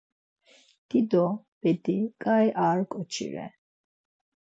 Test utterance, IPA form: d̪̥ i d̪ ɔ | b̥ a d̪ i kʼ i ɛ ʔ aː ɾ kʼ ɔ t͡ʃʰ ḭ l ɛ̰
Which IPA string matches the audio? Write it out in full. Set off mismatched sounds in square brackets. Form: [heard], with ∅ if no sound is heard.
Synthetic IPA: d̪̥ i d̪ ɔ | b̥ [ɛ] d̪ i kʼ [a] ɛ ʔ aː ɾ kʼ ɔ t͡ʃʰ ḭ [ɾ] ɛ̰